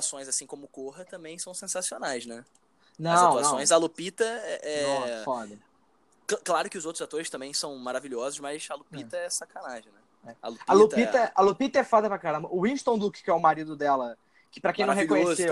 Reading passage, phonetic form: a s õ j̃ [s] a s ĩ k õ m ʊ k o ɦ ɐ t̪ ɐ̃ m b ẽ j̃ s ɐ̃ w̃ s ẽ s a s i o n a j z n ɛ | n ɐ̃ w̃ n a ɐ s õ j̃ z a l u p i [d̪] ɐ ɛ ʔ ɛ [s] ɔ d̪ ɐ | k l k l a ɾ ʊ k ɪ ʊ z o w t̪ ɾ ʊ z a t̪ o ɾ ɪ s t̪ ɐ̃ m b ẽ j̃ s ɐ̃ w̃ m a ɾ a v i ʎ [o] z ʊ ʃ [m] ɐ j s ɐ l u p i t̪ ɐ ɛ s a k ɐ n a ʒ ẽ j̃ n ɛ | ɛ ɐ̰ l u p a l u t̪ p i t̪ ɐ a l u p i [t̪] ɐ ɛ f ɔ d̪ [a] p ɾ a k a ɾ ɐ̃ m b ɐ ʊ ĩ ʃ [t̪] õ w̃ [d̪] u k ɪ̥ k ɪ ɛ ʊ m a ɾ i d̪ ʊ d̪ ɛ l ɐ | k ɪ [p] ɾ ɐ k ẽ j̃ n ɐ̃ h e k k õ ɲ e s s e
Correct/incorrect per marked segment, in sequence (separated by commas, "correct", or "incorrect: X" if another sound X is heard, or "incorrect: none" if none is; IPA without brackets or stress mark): incorrect: z, incorrect: t̪, incorrect: f, incorrect: ɔ, correct, correct, incorrect: ɐ, correct, correct, correct